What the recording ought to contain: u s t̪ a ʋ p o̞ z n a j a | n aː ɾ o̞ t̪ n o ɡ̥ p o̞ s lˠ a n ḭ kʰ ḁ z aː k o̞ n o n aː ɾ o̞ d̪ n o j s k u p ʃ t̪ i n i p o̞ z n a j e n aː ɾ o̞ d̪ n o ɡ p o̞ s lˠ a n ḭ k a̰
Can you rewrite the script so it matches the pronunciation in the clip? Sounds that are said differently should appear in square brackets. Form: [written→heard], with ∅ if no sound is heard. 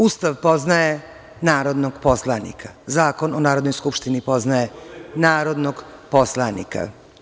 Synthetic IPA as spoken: u s t̪ a ʋ p o̞ z n a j [a→e] | n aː ɾ o̞ [t̪→d̪] n o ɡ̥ p o̞ s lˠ a n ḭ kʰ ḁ z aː k o̞ n o n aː ɾ o̞ d̪ n o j s k u p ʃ t̪ i n i p o̞ z n a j e n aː ɾ o̞ d̪ n o ɡ p o̞ s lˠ a n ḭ k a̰